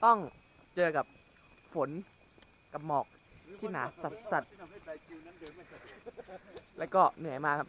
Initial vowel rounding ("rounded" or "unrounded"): rounded